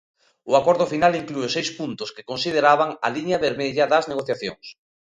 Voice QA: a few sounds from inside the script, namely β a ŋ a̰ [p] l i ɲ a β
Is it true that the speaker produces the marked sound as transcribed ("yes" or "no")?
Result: no